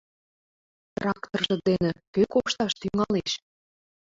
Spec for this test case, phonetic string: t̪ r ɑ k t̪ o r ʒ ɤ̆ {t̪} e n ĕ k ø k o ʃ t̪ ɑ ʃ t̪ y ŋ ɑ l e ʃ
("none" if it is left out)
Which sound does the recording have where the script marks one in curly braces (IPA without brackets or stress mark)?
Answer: d̪